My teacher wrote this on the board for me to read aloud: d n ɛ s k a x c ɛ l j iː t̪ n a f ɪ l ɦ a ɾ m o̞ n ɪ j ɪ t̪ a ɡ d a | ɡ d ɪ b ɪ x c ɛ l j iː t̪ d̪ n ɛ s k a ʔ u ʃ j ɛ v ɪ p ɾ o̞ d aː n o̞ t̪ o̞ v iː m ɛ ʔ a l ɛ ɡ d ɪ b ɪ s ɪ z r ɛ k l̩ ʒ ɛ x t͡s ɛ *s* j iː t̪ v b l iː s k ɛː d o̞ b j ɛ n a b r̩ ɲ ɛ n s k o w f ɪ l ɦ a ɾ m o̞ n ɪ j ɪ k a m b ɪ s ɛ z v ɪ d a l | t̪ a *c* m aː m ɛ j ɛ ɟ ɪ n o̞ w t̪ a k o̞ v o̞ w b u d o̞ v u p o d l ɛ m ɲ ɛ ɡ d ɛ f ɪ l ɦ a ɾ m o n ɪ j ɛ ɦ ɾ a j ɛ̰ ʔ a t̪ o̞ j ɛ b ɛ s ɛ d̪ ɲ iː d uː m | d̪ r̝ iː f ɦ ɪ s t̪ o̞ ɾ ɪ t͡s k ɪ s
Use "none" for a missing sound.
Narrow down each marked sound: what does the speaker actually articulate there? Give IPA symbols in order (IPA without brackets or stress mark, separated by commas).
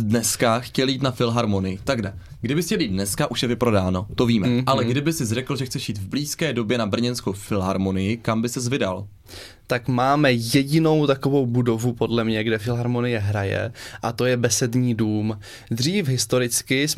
ʃ, k